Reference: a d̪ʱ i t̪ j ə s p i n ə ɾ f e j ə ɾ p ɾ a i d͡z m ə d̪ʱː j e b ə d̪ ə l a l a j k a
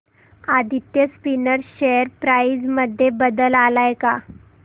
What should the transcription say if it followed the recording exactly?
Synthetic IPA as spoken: a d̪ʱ i t̪ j ə s p i n ə ɾ ɕ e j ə ɾ p ɾ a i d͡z m ə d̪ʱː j e b ə d̪ ə l a l a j k a